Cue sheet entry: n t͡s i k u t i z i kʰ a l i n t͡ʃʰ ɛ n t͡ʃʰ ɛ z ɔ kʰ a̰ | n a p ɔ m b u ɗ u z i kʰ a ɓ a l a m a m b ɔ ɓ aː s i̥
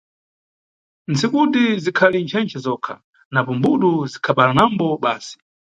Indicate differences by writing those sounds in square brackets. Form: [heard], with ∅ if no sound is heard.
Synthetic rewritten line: n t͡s i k u t i z i kʰ a l i n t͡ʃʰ ɛ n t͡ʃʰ ɛ z ɔ kʰ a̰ | n a p ɔ m b u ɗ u z i kʰ a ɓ a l a [n] a m b ɔ ɓ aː s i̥